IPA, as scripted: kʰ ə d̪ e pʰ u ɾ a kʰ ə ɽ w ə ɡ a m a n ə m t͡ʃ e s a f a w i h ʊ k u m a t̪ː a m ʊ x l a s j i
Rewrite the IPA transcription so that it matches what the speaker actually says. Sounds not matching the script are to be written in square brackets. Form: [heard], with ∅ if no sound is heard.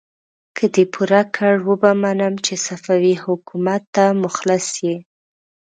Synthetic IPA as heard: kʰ ə d̪ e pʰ u ɾ a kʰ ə ɽ w ə [b] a m a n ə m t͡ʃ e s a f a w i h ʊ k u m a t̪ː a m ʊ x l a s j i